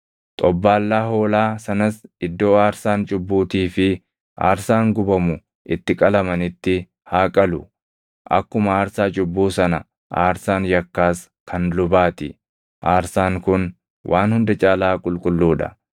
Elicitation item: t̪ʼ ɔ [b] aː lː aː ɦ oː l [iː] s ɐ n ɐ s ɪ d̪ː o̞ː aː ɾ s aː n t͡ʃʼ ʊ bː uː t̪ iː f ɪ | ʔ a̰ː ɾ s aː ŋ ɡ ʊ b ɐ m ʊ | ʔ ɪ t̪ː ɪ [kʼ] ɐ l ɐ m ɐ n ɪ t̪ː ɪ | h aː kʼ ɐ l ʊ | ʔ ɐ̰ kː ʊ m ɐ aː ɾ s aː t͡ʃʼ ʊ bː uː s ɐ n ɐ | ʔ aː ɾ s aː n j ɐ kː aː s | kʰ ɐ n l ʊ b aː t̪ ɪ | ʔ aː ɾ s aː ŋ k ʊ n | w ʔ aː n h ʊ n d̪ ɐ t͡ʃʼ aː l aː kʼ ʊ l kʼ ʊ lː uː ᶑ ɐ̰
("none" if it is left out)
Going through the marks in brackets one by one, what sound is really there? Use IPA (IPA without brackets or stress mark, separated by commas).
bː, aː, kʼ